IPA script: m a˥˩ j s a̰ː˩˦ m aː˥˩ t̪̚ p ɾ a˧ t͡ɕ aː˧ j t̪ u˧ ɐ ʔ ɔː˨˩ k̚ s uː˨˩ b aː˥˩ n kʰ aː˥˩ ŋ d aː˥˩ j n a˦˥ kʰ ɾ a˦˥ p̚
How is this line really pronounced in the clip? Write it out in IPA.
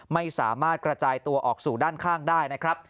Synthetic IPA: m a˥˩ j s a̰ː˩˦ m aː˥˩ t̪̚ k ɾ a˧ t͡ɕ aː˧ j t̪ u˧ ɐ ʔ ɔː˨˩ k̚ s uː˨˩ d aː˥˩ n kʰ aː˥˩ ŋ d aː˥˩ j n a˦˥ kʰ ɾ a˦˥ p̚